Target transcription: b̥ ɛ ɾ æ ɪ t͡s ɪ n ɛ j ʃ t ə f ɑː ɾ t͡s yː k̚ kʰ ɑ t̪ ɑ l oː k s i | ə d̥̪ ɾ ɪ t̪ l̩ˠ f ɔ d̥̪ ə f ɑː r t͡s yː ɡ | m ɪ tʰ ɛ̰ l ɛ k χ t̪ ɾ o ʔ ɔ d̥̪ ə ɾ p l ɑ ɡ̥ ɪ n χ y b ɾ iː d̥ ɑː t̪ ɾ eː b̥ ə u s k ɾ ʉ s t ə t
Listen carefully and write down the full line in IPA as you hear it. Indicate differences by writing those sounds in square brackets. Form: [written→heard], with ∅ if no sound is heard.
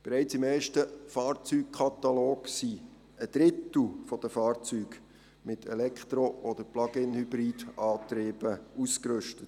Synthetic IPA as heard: b̥ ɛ ɾ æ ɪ t͡s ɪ [n→m] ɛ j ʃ t ə f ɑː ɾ t͡s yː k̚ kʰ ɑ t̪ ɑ l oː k s i | ə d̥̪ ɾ ɪ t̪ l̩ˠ f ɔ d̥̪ ə f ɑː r t͡s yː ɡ | m ɪ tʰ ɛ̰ l ɛ k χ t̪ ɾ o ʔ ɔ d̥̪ ə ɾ p l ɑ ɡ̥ ɪ n [χ→h] y b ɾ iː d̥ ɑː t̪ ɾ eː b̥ ə u s k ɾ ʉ [s→ʃ] t ə t